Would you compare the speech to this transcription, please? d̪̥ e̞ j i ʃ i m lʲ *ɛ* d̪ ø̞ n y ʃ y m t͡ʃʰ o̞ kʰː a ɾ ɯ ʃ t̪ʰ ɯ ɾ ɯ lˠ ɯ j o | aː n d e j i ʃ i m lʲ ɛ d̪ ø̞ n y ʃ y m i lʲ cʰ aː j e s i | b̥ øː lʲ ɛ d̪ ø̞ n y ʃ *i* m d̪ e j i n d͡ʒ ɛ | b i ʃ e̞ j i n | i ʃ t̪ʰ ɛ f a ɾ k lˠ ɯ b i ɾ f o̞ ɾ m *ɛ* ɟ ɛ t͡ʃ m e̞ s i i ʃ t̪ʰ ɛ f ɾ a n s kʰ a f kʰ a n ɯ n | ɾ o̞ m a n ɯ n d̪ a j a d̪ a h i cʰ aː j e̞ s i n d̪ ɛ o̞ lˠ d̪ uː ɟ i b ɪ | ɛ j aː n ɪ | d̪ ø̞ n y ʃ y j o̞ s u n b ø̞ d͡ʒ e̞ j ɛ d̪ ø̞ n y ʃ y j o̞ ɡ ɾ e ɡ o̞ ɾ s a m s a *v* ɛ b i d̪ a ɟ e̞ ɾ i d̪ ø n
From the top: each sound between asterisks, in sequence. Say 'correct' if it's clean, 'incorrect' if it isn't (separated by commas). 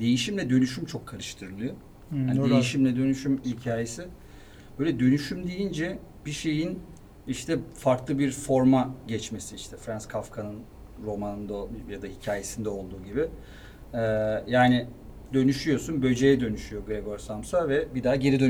correct, incorrect, incorrect, correct